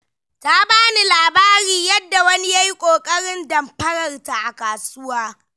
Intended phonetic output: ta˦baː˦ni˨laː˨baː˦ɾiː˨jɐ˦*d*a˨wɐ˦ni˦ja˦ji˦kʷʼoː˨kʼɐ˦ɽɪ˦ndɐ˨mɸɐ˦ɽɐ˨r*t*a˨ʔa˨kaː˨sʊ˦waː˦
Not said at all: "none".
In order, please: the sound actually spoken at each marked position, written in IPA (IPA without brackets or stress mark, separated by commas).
dː, t